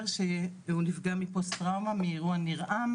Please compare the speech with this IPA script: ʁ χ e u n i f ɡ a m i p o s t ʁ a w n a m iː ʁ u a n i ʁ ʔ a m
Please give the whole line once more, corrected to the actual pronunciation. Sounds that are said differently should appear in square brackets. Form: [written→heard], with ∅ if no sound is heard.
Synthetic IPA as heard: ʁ [χ→ʃ] e u n i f ɡ a m i p o s t ʁ a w [n→m] a m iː ʁ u a n i ʁ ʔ a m